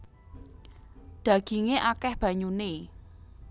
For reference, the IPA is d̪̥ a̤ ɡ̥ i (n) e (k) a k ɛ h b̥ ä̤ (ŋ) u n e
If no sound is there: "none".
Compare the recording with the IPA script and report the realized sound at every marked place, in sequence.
ŋ, ʔ, ɲ

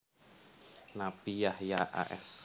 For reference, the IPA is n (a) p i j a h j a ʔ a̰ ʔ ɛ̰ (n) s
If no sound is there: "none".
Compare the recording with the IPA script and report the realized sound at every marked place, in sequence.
a, none

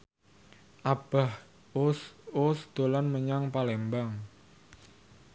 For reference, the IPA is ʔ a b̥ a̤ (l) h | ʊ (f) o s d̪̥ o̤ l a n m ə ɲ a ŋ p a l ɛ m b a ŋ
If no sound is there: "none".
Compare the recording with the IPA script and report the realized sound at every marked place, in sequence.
none, s

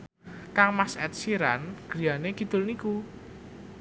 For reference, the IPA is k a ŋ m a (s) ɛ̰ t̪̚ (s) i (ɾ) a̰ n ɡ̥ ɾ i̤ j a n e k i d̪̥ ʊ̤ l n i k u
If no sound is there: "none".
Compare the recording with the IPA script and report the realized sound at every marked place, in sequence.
s, s, ɾ

